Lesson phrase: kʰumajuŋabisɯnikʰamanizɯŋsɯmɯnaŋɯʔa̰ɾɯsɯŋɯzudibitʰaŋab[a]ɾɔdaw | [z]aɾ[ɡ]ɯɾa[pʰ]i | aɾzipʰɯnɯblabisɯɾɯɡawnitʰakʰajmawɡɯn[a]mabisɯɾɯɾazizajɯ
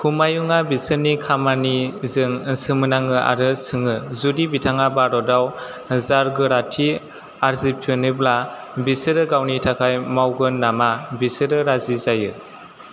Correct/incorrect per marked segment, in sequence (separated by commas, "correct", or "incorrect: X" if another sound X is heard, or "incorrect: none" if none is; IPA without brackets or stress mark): correct, correct, correct, incorrect: tʰ, correct